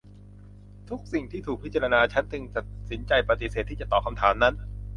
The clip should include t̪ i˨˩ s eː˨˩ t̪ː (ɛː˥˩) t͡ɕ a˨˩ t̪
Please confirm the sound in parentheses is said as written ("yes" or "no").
no